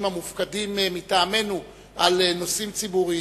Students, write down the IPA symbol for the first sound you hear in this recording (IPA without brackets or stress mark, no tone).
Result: m